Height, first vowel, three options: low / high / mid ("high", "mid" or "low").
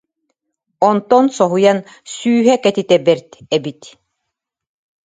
mid